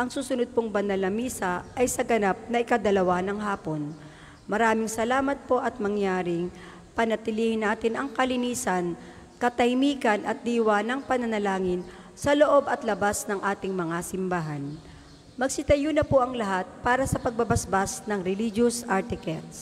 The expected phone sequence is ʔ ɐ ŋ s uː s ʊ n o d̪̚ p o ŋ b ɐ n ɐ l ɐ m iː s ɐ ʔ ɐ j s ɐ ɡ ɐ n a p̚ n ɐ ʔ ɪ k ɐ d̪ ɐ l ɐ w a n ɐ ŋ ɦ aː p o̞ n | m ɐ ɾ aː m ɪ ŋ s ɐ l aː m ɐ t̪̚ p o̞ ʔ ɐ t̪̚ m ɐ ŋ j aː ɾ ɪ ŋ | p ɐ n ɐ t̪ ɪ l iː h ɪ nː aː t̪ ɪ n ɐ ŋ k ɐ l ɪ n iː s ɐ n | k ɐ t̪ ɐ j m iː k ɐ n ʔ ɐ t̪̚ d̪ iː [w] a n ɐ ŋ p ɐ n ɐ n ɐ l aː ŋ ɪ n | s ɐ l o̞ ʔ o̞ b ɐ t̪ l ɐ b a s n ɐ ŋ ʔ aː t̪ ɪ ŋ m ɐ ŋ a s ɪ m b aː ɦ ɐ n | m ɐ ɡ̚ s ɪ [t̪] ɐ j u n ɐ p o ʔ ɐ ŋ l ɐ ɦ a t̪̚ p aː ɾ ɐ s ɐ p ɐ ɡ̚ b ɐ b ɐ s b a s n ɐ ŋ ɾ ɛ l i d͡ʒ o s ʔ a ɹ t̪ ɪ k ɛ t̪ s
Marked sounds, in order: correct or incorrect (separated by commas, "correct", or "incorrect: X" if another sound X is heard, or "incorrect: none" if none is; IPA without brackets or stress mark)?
correct, correct